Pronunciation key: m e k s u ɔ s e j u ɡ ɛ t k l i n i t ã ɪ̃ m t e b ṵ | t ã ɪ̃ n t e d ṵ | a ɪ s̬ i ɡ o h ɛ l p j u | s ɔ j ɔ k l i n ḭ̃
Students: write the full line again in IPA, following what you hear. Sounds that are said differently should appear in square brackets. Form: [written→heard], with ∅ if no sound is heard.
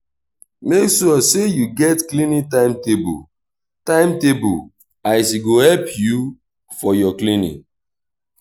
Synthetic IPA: m e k s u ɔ s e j u ɡ ɛ t k l i n i t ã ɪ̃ m t e b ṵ | t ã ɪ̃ [n→m] t e [d→b] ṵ | a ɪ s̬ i ɡ o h ɛ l p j u | [s→f] ɔ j ɔ k l i n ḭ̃